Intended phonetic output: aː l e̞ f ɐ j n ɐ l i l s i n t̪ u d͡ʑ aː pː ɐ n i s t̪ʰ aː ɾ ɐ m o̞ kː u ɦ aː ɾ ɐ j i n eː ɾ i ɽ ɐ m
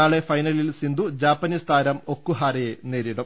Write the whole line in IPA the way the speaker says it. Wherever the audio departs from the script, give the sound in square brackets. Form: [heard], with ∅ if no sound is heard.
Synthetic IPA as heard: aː [ɭ] e̞ f ɐ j n ɐ l i l s i n [d̪] u d͡ʑ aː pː ɐ n i s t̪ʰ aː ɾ ɐ m o̞ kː u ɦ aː ɾ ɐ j [e] n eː ɾ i ɽ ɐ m